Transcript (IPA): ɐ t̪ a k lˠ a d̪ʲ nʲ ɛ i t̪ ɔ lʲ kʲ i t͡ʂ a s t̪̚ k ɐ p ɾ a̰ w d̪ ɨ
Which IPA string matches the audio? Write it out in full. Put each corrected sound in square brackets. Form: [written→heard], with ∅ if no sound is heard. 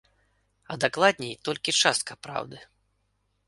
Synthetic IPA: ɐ [t̪→d̪] a k lˠ a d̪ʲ nʲ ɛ [i→j] t̪ ɔ lʲ kʲ i t͡ʂ a s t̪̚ k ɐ p ɾ a̰ w d̪ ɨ